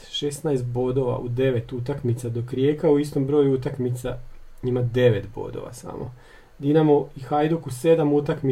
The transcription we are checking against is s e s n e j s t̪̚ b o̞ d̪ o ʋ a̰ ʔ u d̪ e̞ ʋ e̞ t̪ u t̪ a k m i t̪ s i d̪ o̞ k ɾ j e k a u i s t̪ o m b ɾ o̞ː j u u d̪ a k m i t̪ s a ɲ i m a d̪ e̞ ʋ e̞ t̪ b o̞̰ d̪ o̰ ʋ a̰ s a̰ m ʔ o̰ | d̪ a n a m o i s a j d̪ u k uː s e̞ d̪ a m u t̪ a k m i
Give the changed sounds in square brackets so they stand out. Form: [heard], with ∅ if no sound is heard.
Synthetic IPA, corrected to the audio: [ʃ] e s n [a] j s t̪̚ b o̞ d̪ o ʋ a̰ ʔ u d̪ e̞ ʋ e̞ t̪ u t̪ a k m i t̪ s [a] d̪ o̞ k ɾ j e k a u i s t̪ o m b ɾ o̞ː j u u [t̪] a k m i t̪ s a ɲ i m a d̪ e̞ ʋ e̞ t̪ b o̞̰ d̪ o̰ ʋ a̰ s a̰ m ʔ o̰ | d̪ [i] n a m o i [x] a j d̪ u k [u] s e̞ d̪ a m u t̪ a k m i